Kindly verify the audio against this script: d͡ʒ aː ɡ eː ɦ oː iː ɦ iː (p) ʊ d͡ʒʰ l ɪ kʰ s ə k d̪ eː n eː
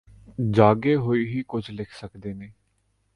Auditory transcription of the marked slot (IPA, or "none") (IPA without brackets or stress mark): k